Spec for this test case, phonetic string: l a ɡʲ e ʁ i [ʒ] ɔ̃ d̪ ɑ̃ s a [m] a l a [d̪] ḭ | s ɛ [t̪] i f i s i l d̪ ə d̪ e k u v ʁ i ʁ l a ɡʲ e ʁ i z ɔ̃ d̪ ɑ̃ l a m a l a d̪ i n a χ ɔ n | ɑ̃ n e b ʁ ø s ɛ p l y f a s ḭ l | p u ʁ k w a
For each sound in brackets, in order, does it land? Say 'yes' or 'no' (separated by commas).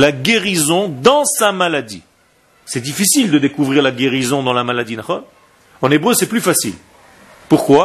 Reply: no, yes, yes, no